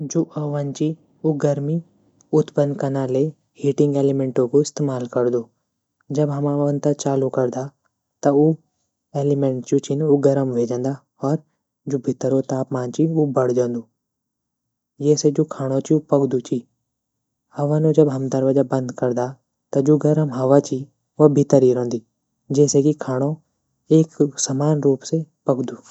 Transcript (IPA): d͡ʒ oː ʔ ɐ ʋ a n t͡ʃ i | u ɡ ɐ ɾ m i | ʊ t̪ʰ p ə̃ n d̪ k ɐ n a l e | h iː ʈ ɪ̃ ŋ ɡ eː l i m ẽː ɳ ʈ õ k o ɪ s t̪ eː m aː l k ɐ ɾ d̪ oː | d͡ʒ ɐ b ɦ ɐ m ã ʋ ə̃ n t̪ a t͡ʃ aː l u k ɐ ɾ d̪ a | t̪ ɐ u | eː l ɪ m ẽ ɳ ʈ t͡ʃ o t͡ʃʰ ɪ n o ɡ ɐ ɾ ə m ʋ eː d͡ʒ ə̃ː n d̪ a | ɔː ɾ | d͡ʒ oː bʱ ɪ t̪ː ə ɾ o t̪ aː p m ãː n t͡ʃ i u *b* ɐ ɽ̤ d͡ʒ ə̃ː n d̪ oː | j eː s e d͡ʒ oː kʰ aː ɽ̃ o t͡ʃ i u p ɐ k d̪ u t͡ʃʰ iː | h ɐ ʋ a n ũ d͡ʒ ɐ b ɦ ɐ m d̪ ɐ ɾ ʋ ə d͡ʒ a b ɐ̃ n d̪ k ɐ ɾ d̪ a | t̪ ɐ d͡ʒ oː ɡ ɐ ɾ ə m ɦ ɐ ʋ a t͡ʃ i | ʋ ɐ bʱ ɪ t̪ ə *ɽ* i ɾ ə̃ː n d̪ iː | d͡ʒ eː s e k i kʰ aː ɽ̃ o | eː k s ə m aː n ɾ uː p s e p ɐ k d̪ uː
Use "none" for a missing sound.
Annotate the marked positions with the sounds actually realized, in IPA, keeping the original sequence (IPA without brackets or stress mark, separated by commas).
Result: b, ɾ